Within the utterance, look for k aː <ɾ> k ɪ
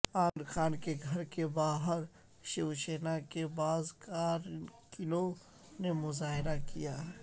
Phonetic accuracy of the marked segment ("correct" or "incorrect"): correct